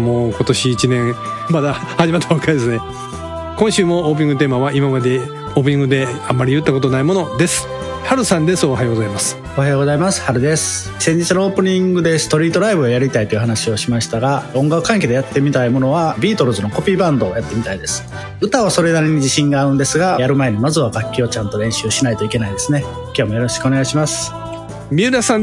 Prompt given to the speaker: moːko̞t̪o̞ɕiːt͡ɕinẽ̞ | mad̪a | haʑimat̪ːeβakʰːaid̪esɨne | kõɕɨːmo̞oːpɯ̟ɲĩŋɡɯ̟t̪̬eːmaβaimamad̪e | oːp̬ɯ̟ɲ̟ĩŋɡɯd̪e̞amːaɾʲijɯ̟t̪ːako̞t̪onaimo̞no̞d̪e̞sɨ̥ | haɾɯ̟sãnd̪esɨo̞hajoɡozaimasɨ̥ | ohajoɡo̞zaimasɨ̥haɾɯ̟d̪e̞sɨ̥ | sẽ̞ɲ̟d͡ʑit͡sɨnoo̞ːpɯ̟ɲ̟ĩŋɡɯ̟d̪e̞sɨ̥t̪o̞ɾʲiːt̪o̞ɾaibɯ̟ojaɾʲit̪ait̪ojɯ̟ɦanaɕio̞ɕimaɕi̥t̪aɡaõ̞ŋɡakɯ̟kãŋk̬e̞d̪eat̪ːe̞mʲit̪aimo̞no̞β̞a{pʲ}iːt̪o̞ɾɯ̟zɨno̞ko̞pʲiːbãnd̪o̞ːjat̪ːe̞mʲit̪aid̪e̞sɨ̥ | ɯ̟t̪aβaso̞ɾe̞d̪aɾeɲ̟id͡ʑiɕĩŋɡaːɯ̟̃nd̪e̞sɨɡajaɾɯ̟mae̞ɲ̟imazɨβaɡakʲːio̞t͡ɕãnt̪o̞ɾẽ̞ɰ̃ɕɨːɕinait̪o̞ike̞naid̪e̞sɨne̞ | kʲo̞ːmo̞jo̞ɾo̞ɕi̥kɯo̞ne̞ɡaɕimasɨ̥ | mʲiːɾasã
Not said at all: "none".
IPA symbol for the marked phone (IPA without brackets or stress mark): bʲ